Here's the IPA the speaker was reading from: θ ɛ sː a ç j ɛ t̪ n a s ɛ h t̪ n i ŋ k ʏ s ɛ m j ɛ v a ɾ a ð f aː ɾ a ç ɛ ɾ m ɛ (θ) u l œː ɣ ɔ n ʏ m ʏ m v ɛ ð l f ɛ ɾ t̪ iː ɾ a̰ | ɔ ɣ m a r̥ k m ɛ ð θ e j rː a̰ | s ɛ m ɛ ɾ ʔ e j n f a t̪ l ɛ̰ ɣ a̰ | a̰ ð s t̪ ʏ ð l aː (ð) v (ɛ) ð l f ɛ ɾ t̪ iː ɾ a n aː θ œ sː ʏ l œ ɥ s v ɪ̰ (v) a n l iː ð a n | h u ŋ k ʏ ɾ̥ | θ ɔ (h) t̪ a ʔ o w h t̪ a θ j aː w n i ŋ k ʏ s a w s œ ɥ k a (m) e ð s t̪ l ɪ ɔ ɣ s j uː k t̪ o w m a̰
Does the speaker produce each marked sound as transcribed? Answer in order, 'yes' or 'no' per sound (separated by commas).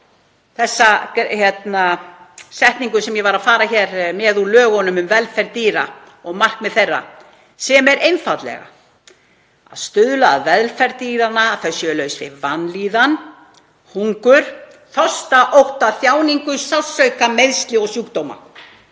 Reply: no, yes, yes, yes, no, yes